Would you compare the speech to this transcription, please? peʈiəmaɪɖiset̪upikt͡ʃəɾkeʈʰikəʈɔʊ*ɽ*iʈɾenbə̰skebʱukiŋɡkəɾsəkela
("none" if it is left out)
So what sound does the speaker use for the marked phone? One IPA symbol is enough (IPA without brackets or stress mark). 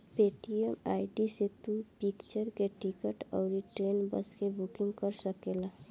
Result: ɾ